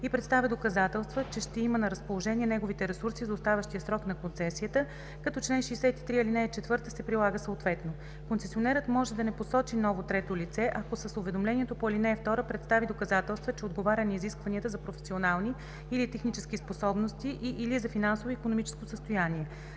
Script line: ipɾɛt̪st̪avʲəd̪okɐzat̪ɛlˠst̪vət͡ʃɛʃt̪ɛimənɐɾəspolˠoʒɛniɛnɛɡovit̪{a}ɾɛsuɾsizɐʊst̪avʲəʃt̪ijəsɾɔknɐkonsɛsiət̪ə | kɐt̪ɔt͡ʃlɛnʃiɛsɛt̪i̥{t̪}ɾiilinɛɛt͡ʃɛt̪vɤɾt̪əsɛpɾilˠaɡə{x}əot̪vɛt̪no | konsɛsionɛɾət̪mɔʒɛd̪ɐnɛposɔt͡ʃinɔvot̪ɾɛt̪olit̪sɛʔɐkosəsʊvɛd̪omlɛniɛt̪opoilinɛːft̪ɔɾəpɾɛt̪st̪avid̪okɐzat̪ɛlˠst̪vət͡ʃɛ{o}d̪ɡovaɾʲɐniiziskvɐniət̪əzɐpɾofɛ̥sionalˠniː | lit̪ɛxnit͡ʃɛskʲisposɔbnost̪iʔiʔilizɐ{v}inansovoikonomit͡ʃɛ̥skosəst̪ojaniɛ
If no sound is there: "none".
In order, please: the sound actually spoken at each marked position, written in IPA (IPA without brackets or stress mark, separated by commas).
ɛ, t̪, s, o, f